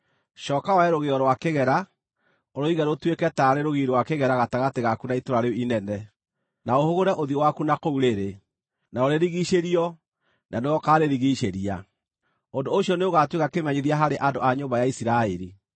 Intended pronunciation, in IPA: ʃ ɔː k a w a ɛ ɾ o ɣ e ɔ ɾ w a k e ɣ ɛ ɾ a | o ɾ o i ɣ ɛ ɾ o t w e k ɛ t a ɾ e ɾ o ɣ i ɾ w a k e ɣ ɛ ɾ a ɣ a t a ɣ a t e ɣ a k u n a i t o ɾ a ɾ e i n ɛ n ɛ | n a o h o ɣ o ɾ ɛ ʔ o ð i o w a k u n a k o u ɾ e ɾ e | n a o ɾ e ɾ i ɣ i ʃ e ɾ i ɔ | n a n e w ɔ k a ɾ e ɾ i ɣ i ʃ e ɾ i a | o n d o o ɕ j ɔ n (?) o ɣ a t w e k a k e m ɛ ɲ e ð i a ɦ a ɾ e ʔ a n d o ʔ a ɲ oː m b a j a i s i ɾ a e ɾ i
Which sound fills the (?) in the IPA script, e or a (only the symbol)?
e